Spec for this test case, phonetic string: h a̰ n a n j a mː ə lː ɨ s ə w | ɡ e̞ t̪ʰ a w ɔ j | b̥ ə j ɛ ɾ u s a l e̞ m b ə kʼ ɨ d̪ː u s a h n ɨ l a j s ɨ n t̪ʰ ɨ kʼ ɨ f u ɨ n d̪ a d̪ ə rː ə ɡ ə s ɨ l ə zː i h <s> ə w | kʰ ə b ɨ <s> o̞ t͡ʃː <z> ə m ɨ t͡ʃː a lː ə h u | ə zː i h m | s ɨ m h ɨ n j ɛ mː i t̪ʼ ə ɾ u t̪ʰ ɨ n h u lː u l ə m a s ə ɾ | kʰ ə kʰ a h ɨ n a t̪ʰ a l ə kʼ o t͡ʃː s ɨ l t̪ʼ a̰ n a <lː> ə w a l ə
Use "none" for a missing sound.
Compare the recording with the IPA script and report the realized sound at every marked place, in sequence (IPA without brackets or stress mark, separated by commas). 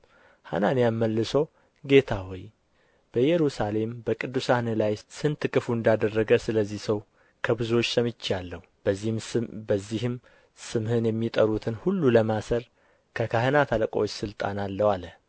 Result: s, z, s, lː